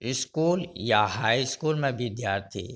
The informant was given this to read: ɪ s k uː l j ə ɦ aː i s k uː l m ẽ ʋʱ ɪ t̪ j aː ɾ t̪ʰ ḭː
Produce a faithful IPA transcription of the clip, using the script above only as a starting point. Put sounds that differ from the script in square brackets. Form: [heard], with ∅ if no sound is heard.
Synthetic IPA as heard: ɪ s k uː l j [a] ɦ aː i s k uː l m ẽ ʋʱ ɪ [d̪] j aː ɾ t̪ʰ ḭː

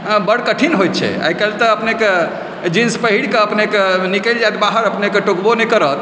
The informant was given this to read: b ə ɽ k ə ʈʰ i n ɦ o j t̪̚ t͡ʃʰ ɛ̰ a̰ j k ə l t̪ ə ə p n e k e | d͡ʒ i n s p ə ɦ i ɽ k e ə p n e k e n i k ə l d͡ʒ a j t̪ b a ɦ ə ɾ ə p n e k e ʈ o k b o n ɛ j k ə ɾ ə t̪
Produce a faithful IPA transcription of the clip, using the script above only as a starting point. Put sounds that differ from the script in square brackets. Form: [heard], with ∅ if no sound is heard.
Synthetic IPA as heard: b ə ɽ k ə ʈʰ i n ɦ o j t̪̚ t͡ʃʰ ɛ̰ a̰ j k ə l t̪ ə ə p n e k e | d͡ʒ i n s p ə ɦ i ɽ k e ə p n e k e n i k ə l d͡ʒ a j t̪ b a ɦ ə ɾ ə p n e k e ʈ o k b o n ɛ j k ə ɾ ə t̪

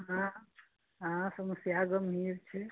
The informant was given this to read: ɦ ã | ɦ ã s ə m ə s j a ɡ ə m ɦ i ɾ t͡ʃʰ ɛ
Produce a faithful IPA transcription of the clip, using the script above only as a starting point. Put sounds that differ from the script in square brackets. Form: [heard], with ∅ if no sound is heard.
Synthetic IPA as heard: ɦ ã | ɦ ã s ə m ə s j a ɡ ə m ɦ i ɾ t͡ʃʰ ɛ

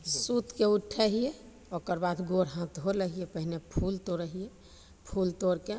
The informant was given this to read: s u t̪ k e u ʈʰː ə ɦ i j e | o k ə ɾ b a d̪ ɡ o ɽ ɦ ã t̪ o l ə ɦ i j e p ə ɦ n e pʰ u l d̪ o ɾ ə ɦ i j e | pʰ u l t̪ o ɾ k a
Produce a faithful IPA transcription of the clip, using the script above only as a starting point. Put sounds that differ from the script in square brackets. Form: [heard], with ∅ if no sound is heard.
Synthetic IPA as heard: s u t̪ k e u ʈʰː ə ɦ i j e | o k ə ɾ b a d̪ ɡ o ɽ ɦ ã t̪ o l ə ɦ i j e p ə ɦ n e pʰ u l [t̪] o ɾ ə ɦ i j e | pʰ u l t̪ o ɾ k [e]

